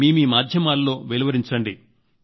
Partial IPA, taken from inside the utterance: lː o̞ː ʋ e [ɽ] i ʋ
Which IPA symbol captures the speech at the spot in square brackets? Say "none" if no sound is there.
l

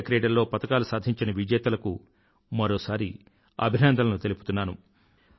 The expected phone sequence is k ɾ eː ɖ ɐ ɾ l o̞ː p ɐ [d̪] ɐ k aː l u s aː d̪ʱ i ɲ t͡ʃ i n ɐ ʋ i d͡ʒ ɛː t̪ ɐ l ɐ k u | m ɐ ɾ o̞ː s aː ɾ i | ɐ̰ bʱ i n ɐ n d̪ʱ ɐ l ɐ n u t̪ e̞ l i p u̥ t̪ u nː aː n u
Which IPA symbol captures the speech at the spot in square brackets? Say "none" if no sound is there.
t̪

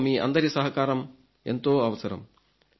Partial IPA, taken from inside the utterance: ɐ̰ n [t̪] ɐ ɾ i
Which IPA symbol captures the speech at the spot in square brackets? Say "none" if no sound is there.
d̪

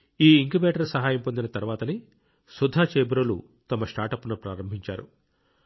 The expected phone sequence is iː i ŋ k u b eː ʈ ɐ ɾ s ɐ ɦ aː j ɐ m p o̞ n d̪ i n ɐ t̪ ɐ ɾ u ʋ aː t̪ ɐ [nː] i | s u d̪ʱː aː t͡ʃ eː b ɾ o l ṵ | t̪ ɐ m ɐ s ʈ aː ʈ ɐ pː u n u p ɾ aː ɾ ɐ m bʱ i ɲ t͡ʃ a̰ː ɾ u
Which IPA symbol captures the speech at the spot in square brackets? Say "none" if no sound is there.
n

